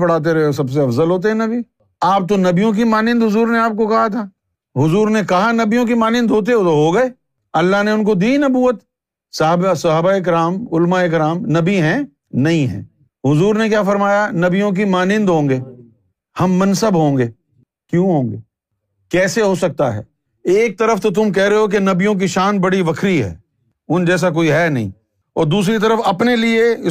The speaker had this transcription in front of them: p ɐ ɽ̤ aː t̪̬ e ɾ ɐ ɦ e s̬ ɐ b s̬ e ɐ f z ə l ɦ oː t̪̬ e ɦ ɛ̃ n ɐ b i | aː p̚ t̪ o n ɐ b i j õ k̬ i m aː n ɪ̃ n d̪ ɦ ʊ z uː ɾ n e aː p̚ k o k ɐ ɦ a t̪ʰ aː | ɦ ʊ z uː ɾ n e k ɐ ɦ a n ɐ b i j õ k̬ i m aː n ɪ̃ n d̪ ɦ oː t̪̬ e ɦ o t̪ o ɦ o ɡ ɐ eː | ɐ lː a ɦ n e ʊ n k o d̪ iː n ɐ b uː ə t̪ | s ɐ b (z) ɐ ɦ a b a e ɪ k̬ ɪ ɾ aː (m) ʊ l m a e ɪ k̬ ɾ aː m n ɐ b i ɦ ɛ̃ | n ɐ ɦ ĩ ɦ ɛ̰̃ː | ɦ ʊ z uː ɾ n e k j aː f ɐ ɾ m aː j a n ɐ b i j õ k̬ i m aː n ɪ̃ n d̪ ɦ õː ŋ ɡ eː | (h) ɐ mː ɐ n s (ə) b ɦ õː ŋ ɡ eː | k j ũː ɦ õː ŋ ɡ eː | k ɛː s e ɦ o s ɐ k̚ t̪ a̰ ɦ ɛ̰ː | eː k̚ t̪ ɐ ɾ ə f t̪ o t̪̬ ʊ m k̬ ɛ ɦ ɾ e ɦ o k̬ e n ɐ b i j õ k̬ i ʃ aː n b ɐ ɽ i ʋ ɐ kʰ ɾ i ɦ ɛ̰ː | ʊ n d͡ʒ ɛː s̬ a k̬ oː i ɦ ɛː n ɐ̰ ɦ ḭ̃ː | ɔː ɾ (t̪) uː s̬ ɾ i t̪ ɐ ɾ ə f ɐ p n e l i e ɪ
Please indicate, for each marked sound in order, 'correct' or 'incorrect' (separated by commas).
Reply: incorrect, correct, correct, correct, incorrect